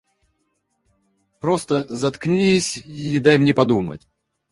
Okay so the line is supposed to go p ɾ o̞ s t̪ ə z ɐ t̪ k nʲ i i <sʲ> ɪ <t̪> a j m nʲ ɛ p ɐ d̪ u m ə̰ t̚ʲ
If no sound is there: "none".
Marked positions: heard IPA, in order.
sʲ, d̪

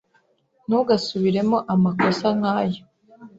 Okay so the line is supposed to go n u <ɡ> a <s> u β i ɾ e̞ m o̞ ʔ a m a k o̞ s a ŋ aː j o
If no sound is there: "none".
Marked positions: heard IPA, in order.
ɡ, s

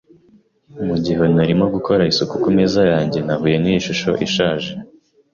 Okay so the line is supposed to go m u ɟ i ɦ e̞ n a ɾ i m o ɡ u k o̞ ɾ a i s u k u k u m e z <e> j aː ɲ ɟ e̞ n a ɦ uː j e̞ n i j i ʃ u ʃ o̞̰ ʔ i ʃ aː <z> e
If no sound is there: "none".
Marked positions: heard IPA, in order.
a, ʒ

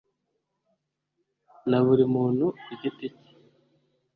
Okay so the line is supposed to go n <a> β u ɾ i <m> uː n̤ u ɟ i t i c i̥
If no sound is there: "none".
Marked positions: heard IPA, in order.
a, m

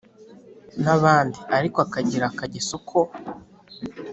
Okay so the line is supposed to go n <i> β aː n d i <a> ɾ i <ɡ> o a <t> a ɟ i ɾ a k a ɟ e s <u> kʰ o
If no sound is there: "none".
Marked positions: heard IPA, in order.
a, a, k, k, o

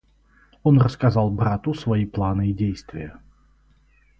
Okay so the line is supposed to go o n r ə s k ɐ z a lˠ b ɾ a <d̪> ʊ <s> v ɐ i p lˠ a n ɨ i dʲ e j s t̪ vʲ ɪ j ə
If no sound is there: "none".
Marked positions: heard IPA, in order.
t̪, s

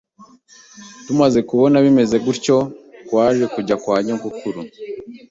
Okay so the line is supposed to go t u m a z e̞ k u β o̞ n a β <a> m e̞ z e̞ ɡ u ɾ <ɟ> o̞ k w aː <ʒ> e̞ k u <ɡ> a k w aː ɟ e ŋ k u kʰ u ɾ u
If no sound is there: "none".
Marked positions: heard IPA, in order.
i, c, ʒ, ɟ

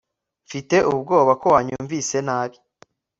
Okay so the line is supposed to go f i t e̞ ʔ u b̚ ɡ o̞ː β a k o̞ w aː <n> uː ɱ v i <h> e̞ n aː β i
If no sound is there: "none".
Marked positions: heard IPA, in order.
ɲ, s

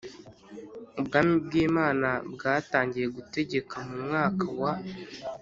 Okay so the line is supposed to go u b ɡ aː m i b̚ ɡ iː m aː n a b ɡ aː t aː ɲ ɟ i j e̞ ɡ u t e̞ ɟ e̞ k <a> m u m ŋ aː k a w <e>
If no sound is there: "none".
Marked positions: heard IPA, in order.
a, a

